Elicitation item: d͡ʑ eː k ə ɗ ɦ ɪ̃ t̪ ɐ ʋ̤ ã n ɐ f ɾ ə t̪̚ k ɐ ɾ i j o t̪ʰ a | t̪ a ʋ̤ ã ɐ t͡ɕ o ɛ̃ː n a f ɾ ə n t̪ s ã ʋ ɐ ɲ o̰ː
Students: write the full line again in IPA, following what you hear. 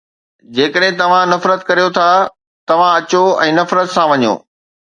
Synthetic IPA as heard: d͡ʑ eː k ə ɗ ɦ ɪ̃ t̪ ɐ ʋ̤ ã n ɐ f ɾ ə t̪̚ k ɐ ɾ i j o t̪ʰ a | t̪ ɐ ʋ̤ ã ɐ t͡ɕ o ɛ̃ː n ɐ f ɾ ə t̪ s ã ʋ ɐ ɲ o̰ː